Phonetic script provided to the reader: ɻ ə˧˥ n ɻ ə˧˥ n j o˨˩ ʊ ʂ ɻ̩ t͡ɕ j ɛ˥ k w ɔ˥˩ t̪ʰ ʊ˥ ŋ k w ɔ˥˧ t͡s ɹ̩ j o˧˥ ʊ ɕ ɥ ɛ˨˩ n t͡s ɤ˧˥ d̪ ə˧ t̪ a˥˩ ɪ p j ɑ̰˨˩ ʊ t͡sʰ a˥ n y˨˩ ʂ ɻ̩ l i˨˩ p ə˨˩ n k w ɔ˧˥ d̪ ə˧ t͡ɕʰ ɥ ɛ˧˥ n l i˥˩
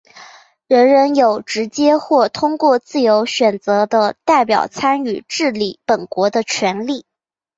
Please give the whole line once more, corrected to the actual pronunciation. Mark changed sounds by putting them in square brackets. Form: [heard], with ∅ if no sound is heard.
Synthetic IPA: ɻ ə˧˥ n ɻ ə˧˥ n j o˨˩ ʊ [ʈ͡ʂ] ɻ̩ t͡ɕ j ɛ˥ [x] w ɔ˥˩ t̪ʰ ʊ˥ ŋ k w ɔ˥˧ t͡s ɹ̩ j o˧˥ ʊ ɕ ɥ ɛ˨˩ n t͡s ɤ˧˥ d̪ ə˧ t̪ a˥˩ ɪ p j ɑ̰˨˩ ʊ t͡sʰ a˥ n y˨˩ [ʈ͡ʂ] ɻ̩ l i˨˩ p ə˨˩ n k w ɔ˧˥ d̪ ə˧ t͡ɕʰ ɥ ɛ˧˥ n l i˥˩